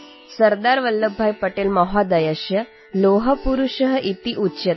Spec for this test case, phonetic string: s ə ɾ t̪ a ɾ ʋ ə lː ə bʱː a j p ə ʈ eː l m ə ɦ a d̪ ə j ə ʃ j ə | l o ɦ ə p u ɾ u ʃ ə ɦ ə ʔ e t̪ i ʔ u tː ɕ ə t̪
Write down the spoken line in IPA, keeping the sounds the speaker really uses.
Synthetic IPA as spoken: s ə ɾ d̪ a ɾ ʋ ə lː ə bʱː a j p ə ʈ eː l m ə ɦ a d̪ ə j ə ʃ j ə | l o ɦ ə p u ɾ u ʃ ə ɦ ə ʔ i t̪ i ʔ u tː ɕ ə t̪